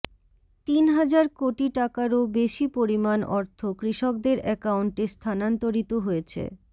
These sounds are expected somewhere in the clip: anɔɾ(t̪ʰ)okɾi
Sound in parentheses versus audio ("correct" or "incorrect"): correct